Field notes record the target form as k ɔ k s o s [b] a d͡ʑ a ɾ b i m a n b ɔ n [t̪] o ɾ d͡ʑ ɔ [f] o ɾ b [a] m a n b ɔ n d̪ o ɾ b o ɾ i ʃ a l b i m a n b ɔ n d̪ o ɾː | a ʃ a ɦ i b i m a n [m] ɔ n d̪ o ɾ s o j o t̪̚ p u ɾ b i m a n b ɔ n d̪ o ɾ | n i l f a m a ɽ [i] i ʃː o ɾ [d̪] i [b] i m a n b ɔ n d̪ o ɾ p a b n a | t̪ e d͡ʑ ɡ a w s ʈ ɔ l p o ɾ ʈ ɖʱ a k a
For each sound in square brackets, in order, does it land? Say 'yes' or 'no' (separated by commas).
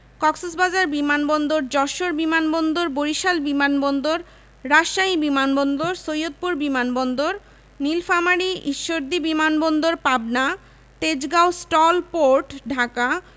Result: yes, no, no, no, no, yes, yes, yes